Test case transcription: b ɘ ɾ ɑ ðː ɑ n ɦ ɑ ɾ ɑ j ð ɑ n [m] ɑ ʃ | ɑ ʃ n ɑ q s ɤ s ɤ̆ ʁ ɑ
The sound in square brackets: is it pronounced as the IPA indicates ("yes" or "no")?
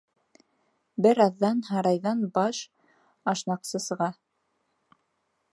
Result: no